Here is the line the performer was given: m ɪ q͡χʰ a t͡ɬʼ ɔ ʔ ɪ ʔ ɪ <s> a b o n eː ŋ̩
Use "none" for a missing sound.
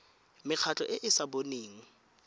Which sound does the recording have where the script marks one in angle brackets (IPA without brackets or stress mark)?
s